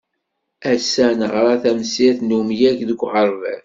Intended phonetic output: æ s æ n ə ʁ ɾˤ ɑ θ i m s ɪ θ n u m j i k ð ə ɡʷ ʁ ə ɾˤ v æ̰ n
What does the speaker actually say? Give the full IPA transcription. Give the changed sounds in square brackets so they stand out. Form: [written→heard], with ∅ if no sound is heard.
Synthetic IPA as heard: æ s æ n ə ʁ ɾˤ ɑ θ [i→æ] m s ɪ θ n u m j [i→æ] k ð ə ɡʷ ʁ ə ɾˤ v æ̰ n